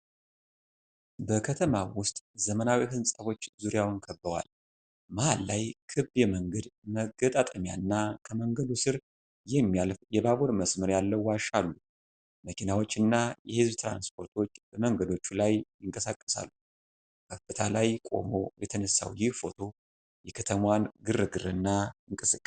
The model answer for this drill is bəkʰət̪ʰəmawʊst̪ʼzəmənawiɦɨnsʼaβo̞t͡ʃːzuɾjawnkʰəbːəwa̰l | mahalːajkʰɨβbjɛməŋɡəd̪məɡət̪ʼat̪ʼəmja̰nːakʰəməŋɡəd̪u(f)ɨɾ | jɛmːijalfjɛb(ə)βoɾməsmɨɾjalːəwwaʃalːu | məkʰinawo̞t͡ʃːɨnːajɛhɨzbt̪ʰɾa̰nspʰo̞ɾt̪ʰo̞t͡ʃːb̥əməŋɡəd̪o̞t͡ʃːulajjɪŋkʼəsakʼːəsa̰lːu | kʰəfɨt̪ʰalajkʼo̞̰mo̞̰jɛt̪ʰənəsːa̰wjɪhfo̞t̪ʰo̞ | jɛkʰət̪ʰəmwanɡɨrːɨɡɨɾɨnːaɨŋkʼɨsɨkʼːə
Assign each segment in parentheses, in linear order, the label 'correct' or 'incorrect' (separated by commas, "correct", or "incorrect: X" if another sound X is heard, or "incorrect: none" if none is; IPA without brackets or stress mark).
incorrect: s, incorrect: a